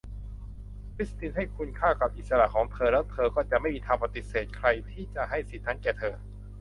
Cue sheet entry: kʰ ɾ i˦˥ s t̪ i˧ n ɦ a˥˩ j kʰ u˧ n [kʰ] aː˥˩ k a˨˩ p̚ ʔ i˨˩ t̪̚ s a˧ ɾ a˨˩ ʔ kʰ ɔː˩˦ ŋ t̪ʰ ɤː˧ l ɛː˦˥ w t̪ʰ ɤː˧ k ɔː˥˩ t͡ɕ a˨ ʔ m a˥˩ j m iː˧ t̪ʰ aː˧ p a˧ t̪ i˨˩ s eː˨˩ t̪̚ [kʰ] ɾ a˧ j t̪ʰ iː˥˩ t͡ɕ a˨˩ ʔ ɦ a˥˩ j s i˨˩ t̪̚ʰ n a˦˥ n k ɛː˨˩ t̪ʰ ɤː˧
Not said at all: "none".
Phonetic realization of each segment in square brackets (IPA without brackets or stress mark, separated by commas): kʰ, kʰ